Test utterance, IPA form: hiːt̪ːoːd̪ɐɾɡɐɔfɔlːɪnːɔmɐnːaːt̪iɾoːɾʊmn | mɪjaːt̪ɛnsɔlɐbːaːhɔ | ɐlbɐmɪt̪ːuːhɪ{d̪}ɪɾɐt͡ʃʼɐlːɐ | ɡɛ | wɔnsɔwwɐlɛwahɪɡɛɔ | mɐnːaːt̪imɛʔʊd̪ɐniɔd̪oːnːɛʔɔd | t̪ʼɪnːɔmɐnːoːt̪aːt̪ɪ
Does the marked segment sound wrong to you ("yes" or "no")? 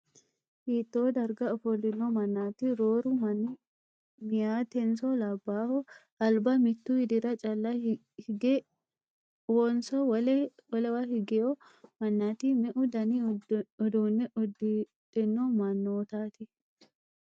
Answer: no